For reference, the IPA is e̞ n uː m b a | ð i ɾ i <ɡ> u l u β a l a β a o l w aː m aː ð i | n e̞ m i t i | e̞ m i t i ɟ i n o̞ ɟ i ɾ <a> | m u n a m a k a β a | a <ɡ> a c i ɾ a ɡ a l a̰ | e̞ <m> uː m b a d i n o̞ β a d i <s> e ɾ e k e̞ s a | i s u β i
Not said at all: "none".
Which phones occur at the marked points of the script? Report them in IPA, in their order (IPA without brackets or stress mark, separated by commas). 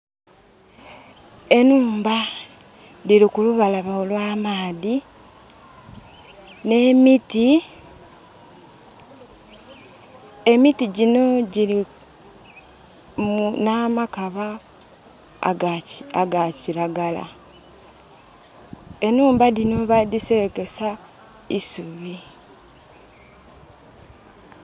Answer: k, i, ɡ, n, s